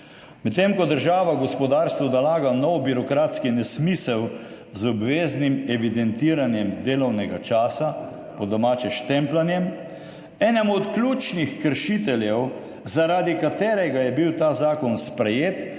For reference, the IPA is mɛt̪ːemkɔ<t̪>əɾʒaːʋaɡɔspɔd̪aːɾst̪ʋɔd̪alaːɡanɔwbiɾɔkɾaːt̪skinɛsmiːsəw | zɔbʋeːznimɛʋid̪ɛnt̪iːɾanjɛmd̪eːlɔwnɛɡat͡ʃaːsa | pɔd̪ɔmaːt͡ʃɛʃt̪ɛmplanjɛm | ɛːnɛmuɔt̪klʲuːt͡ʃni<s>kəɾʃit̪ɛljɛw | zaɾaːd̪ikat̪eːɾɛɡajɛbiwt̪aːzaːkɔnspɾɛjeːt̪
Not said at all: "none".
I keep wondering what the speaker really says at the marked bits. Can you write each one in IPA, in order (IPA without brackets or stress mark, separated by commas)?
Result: d̪, x